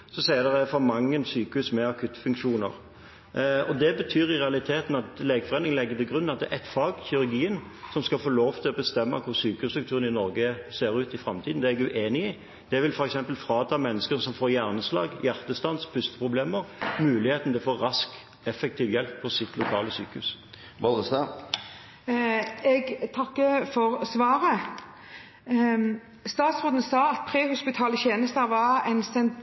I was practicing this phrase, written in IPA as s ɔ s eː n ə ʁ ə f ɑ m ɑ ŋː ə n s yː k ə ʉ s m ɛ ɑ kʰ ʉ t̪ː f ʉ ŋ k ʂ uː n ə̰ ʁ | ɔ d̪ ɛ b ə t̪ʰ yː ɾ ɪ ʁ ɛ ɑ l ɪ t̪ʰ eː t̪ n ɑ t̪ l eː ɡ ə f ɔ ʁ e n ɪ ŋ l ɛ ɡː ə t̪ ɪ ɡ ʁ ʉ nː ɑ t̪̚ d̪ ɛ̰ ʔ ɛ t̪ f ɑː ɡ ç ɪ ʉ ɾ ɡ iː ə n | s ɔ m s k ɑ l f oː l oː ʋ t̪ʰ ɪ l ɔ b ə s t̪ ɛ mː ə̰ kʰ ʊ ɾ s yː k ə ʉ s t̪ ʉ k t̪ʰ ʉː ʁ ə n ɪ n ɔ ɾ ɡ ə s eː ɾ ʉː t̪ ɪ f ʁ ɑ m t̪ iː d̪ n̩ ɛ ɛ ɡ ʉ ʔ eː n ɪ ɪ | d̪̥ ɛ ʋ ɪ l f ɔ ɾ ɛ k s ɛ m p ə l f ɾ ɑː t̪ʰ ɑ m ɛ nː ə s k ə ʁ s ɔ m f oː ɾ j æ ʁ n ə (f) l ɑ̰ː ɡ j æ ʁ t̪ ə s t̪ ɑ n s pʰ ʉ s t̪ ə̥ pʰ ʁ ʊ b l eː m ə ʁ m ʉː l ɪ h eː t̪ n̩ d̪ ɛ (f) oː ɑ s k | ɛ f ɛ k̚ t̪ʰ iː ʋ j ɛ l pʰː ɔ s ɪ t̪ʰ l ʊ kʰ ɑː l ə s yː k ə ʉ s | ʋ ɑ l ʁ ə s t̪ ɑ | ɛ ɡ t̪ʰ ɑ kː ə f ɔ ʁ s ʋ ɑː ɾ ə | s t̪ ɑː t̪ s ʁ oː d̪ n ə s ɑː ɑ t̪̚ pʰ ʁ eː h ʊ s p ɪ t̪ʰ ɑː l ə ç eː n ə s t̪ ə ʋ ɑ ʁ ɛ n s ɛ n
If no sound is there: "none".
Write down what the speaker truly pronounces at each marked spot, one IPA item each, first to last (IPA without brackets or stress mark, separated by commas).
s, f